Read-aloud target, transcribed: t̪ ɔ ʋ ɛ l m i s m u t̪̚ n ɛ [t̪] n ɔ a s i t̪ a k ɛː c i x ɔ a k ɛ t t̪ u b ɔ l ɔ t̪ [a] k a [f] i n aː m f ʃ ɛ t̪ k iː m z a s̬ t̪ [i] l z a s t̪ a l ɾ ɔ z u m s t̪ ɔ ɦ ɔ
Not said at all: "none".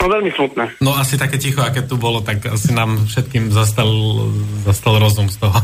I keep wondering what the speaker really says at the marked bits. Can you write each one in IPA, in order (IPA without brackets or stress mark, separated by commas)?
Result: none, a, s, a